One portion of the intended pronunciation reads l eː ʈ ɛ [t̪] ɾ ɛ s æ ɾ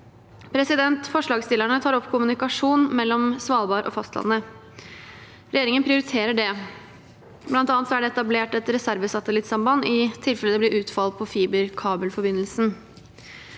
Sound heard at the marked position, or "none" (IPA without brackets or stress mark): t̪